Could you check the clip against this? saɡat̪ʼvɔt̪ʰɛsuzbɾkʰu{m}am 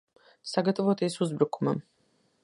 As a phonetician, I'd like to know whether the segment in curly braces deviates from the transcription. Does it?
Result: no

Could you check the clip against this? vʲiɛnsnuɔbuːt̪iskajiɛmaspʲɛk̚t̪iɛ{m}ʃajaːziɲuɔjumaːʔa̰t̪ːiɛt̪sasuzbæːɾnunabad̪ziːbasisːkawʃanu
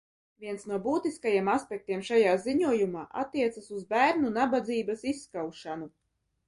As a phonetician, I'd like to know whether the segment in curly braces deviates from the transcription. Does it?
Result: no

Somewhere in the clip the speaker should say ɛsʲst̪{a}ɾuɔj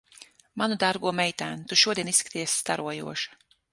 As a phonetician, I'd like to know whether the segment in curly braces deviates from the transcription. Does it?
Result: no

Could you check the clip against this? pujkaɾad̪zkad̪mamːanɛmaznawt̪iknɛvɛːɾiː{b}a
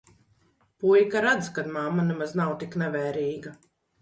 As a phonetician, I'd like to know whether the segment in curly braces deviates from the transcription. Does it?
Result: yes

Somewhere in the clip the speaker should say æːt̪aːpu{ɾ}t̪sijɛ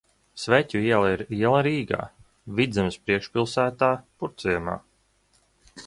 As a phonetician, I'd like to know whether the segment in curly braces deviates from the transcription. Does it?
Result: no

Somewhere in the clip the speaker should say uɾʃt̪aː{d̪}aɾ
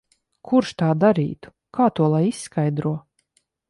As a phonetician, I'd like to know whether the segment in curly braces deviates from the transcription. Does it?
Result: no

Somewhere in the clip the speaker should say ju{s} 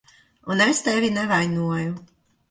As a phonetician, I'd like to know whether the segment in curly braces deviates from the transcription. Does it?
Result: yes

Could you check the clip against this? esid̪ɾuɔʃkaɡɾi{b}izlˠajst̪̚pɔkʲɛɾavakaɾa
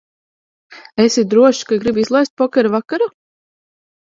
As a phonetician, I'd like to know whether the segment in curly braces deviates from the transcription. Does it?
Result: no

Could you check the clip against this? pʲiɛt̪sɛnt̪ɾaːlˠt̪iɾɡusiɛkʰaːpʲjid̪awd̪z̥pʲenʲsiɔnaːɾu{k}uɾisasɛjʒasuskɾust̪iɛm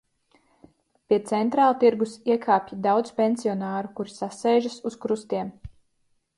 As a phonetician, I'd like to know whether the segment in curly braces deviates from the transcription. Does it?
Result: no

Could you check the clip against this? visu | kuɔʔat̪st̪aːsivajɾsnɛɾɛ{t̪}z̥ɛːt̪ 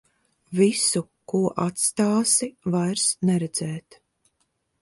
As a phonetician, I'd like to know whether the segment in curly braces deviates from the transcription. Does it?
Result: yes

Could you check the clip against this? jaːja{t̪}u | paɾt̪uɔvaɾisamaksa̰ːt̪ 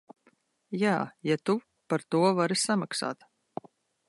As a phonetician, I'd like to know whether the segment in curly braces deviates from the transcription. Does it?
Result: no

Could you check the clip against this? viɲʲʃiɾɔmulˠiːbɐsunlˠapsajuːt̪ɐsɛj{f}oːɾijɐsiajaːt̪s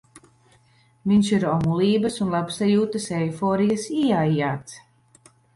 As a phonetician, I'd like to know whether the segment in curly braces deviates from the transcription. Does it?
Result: no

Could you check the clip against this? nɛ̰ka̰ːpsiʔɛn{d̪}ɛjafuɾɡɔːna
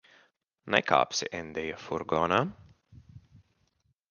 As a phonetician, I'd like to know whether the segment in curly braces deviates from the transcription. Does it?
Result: no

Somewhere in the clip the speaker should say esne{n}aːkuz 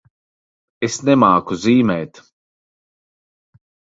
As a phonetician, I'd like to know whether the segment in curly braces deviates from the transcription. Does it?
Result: yes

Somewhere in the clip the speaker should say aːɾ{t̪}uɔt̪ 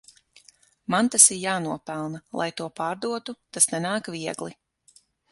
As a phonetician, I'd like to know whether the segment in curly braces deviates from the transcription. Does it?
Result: yes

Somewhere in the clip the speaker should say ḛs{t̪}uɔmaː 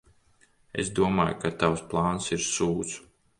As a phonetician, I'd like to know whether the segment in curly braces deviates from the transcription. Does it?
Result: yes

